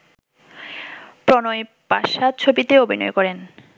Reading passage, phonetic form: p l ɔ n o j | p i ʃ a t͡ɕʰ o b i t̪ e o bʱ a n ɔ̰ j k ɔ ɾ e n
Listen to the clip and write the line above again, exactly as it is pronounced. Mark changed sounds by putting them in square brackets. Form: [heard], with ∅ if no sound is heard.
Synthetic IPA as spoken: p [ɾ] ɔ n o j | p [a] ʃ a t͡ɕʰ o b i t̪ e o bʱ [i] n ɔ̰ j k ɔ ɾ e n